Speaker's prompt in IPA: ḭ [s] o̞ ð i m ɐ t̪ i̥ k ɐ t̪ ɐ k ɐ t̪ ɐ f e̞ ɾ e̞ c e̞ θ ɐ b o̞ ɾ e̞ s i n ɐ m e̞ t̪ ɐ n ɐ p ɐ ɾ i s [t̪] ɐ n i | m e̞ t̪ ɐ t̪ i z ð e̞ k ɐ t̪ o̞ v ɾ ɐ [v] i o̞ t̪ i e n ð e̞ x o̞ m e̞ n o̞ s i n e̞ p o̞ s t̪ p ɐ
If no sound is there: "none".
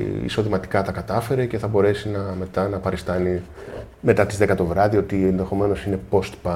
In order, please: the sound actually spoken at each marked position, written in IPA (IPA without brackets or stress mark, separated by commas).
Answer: s, t̪, ð